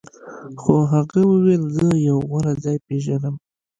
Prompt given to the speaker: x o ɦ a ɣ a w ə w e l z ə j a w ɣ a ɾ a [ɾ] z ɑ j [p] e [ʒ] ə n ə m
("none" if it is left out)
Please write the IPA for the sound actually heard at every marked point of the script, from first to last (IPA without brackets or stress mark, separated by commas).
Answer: none, p, ʒ